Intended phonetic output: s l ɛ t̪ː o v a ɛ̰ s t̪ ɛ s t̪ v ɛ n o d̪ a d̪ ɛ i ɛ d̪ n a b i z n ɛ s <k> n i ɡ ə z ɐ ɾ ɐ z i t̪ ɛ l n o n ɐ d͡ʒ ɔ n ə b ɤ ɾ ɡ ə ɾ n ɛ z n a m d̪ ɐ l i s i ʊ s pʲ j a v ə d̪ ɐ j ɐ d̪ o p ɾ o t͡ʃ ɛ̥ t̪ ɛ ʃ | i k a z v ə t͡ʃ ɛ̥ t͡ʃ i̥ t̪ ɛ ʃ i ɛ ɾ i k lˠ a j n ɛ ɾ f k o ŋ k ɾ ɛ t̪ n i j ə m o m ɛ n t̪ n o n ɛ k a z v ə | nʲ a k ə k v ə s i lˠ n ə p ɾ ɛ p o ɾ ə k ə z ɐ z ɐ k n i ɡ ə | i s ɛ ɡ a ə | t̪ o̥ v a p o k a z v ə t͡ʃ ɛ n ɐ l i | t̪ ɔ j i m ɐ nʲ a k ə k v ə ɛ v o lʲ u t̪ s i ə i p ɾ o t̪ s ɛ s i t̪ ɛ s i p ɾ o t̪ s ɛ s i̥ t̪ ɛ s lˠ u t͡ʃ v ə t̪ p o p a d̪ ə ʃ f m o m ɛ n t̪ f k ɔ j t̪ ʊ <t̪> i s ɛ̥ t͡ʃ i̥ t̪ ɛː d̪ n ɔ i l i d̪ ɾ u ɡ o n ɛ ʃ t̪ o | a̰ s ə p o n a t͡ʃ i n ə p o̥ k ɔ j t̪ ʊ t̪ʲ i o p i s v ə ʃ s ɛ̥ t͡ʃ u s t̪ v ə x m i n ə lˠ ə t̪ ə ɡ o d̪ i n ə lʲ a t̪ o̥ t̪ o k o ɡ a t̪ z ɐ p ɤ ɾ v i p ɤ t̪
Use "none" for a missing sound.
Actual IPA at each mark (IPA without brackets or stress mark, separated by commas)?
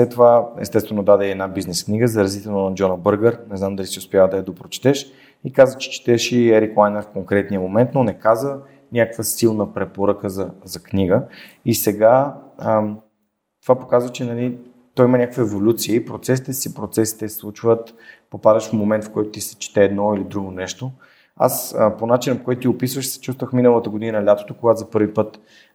k, t̪